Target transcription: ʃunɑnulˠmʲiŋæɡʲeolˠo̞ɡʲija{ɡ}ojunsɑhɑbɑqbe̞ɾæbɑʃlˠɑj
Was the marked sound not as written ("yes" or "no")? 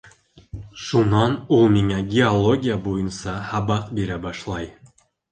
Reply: yes